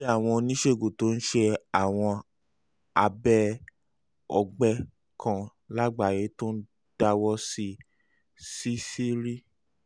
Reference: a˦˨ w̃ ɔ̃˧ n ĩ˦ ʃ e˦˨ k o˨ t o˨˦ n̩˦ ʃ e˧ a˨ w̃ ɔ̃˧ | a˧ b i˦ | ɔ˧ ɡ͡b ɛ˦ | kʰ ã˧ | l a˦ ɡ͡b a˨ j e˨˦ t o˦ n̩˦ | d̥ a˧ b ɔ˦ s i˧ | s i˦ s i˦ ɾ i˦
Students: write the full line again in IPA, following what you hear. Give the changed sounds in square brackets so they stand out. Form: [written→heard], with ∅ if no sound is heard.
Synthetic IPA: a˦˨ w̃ ɔ̃˧ n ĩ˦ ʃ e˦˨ [k→ɡ] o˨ t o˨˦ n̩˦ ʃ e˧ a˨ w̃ ɔ̃˧ | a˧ b [i˦→ɛ˦] | ɔ˧ ɡ͡b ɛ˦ | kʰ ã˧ | l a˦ ɡ͡b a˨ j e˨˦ t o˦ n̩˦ | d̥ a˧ [b→w] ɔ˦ s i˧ | s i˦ s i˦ ɾ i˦